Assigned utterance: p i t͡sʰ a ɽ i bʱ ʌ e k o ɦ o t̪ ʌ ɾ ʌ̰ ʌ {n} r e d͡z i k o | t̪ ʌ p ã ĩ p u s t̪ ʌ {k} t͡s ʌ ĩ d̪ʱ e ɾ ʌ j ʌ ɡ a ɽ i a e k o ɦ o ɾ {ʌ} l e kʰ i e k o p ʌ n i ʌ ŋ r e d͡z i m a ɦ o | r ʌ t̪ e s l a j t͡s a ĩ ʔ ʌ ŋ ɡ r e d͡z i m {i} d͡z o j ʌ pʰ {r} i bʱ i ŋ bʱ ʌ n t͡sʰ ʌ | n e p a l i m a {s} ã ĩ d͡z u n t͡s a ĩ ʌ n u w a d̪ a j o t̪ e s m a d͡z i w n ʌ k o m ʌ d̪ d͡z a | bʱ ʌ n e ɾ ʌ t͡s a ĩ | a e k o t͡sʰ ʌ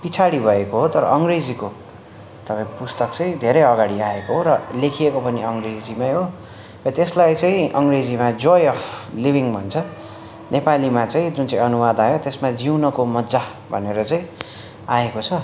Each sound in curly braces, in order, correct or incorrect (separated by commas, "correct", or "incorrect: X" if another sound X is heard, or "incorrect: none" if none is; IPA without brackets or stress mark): incorrect: ŋ, correct, correct, incorrect: a, incorrect: l, incorrect: t͡s